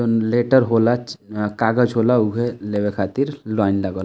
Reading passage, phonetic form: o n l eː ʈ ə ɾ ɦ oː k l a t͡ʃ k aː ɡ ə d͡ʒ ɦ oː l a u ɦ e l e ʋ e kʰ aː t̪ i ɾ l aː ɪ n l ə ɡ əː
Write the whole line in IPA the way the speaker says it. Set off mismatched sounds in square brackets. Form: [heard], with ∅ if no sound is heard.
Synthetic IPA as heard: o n l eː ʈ ə ɾ ɦ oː [∅] l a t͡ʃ k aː ɡ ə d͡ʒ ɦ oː l a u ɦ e l e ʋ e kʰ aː t̪ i ɾ l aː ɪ n l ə ɡ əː